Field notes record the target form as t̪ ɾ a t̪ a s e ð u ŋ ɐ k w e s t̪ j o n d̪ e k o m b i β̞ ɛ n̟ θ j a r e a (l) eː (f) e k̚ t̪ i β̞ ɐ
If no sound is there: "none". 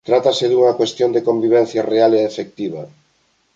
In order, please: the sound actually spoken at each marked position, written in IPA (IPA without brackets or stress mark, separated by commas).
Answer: l, f